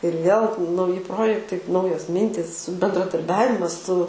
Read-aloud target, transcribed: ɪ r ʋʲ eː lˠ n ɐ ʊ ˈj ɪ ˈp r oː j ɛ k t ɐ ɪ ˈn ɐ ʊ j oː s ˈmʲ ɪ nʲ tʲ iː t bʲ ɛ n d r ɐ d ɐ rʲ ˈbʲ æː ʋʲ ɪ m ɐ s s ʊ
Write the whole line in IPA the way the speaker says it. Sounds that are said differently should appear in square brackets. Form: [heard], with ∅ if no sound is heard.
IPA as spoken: ɪ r ʋʲ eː lˠ n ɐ ʊ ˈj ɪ ˈp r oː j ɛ k t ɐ ɪ ˈn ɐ ʊ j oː s ˈmʲ ɪ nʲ tʲ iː [s] bʲ ɛ n d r ɐ d ɐ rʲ ˈbʲ æː ʋʲ ɪ m ɐ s s ʊ